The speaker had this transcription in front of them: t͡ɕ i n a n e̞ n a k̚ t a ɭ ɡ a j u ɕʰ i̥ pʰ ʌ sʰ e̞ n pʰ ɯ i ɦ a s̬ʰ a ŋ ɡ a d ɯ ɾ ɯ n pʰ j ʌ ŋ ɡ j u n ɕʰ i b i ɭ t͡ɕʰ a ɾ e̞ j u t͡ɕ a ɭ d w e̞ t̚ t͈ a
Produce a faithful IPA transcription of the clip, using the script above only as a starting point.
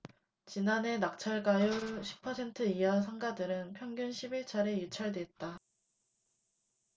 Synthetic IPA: t͡ɕ i n a n e̞ n a k̚ t͡ɕʰ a ɭ ɡ a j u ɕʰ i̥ pʰ ʌ sʰ e̞ n tʰ ɯ i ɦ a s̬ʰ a ŋ ɡ a d ɯ ɾ ɯ n pʰ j ʌ ŋ ɡ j u n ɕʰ i b i ɭ t͡ɕʰ a ɾ e̞ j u t͡ɕʰ a ɭ d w e̞ t̚ t͈ a

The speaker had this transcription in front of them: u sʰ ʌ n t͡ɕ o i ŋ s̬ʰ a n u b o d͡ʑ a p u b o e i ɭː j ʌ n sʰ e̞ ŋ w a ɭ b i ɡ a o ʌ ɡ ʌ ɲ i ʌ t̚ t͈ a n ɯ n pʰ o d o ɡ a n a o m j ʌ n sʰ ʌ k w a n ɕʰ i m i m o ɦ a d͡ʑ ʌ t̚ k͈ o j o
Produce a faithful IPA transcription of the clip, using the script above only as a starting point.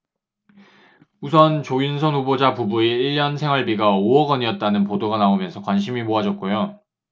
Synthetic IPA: u sʰ ʌ n t͡ɕ o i n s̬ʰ ʌ n u b o d͡ʑ a p u b u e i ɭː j ʌ n sʰ e̞ ŋ w a ɭ b i ɡ a o ʌ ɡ ʌ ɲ i ʌ t̚ t͈ a n ɯ n p o d o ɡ a n a o m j ʌ n sʰ ʌ k w a n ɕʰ i m i m o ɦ a d͡ʑ ʌ t̚ k͈ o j o

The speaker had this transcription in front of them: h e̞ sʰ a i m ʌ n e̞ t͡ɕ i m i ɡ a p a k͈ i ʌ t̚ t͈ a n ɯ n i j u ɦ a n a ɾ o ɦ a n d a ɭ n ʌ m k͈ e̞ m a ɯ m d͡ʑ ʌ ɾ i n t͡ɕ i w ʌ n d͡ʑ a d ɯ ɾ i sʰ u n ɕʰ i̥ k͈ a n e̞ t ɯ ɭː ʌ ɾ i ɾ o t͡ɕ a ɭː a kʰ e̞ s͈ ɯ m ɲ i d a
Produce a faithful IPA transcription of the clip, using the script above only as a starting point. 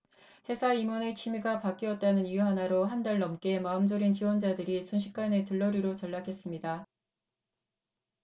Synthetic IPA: h e̞ sʰ a i m ʌ n e̞ t͡ɕʰ i m i ɡ a p a k͈ i ʌ t̚ t͈ a n ɯ n i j u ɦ a n a ɾ o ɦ a n d a ɭ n ʌ m k͈ e̞ m a ɯ m d͡ʑ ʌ ɾ i n t͡ɕ i w ʌ n d͡ʑ a d ɯ ɾ i sʰ u n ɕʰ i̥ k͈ a n e̞ t ɯ ɭː ʌ ɾ i ɾ o t͡ɕ ʌ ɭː a kʰ e̞ s͈ ɯ m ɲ i d a

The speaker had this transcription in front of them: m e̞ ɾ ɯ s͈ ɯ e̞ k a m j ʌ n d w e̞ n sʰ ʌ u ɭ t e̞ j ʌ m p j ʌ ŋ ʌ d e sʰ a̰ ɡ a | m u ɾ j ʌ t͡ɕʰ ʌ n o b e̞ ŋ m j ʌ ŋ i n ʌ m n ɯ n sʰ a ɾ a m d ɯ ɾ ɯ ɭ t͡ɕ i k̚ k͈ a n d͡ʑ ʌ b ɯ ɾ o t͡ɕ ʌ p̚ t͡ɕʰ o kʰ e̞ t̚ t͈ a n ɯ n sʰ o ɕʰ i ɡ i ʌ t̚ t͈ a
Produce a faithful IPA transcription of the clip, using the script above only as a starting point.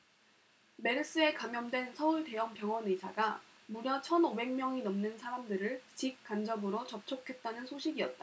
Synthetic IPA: m e̞ ɾ ɯ s͈ ɯ e̞ k a m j ʌ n d w e̞ n sʰ ʌ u ɭ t e̞ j ʌ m p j ʌ ŋ ʌ n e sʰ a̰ ɡ a | m u ɾ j ʌ t͡ɕʰ ʌ n o b e̞ ŋ m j ʌ ŋ i n ʌ m n ɯ n sʰ a ɾ a m d ɯ ɾ ɯ ɭ t͡ɕ i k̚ k͈ a n d͡ʑ ʌ b ɯ ɾ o t͡ɕ ʌ p̚ t͡ɕʰ o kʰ e̞ t̚ t͈ a n ɯ n sʰ o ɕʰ i ɡ i ʌ t̚ t͈ a

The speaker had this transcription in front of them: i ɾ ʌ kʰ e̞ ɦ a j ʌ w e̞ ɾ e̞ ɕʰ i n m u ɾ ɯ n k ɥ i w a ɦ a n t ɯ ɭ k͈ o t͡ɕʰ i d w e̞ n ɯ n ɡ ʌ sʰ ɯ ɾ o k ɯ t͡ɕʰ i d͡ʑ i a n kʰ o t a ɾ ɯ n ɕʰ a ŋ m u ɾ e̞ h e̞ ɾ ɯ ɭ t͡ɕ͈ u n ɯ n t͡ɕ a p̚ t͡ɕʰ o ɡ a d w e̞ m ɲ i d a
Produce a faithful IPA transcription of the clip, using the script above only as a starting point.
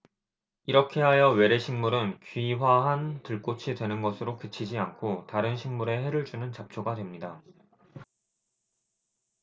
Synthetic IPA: i ɾ ʌ kʰ e̞ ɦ a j ʌ w e̞ ɾ e̞ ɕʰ i ŋ m u ɾ ɯ n k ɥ i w a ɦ a n t ɯ ɭ k͈ o t͡ɕʰ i d w e̞ n ɯ n ɡ ʌ sʰ ɯ ɾ o k ɯ t͡ɕʰ i d͡ʑ i a n kʰ o t a ɾ ɯ n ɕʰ i ŋ m u ɾ e̞ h e̞ ɾ ɯ ɭ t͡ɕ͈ u n ɯ n t͡ɕ a p̚ t͡ɕʰ o ɡ a d w e̞ m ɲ i d a

